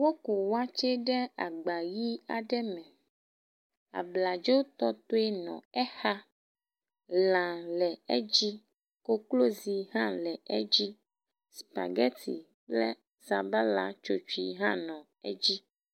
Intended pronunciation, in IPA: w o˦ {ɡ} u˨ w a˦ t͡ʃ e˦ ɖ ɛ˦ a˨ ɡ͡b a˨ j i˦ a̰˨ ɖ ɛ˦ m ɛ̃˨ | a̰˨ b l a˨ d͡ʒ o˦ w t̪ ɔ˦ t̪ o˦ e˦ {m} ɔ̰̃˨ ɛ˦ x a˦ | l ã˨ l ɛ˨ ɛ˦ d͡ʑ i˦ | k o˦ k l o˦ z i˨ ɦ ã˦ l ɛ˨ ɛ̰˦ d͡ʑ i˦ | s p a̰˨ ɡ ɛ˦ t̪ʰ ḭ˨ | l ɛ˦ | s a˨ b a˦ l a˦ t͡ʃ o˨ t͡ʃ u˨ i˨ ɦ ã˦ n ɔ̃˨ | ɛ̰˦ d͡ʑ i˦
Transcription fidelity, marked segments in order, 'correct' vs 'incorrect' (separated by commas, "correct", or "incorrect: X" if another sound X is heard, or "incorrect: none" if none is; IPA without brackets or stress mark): incorrect: k, incorrect: n